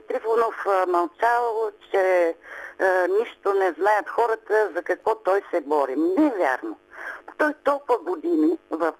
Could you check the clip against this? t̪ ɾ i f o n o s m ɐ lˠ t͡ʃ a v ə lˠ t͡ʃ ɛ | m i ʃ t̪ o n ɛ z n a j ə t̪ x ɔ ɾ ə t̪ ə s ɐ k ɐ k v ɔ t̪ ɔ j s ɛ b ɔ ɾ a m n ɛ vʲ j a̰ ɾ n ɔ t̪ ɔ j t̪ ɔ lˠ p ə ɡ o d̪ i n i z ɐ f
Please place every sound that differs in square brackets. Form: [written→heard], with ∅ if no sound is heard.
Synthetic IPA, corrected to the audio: t̪ ɾ i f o n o [s→f] m ɐ lˠ t͡ʃ a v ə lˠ t͡ʃ ɛ | [m→n] i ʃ t̪ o n ɛ z n a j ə t̪ x ɔ ɾ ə t̪ ə [s→z] ɐ k ɐ k v ɔ t̪ ɔ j s ɛ b ɔ ɾ [a→i] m n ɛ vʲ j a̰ ɾ n [ɔ→o] t̪ ɔ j t̪ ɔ lˠ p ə ɡ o d̪ i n i [z→v] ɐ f